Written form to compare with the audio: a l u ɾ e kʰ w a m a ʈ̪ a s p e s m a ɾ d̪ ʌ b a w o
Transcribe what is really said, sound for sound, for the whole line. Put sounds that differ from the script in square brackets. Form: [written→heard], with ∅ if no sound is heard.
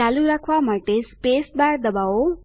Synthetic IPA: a l u ɾ [e→a] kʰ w a m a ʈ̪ [a→e] s p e s [m→b] a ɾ d̪ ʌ b a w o